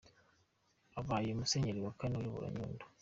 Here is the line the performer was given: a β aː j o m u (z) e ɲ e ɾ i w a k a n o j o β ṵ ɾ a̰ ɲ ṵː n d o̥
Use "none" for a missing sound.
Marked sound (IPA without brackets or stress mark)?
s